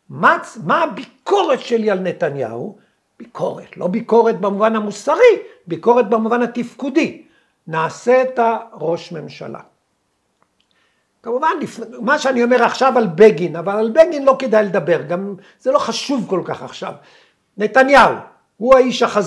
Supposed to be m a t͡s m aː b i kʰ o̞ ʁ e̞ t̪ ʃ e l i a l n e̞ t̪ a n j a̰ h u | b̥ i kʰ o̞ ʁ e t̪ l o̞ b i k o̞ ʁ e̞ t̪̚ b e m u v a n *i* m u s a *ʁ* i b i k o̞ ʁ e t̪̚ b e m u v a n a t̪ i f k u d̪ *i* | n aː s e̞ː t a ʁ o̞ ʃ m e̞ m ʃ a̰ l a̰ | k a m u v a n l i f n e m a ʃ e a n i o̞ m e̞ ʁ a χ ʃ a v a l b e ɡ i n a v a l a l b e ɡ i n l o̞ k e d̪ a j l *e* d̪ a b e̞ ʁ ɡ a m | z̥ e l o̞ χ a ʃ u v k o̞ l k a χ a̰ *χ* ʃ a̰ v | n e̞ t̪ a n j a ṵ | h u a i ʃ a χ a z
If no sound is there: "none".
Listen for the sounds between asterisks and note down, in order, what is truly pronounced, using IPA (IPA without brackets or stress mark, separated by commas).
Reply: a, ʁ, i, e, χ